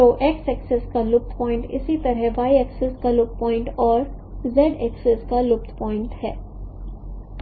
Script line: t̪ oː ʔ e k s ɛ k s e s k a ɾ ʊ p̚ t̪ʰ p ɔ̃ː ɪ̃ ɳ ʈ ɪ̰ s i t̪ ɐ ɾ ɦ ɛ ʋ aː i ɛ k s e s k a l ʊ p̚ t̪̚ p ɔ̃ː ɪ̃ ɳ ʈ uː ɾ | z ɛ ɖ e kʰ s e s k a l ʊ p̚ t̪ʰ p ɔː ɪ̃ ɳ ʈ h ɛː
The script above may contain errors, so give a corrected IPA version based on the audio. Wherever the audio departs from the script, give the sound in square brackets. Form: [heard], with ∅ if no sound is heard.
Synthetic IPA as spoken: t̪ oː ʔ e k s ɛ k s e s k a [l] ʊ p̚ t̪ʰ p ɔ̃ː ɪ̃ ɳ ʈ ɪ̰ s i t̪ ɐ ɾ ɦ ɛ ʋ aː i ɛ k s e s k a l ʊ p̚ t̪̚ p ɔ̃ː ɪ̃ ɳ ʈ [ɔː] ɾ | z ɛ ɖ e [k] s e s k a l ʊ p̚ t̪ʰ p ɔː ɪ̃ ɳ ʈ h ɛː